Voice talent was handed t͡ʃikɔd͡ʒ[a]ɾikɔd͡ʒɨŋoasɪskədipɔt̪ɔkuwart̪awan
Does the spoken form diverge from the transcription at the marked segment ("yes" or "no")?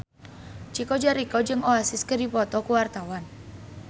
no